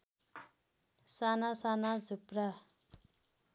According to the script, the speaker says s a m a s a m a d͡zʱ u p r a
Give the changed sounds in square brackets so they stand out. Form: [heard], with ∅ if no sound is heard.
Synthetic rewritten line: s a [n] a s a [n] a d͡zʱ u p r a